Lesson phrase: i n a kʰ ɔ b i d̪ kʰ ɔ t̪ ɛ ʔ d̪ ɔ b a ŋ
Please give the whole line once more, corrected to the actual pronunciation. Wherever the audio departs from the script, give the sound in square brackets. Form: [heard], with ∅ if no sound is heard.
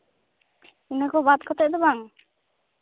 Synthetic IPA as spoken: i n a [k] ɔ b [a] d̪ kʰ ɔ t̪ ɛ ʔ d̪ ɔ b a ŋ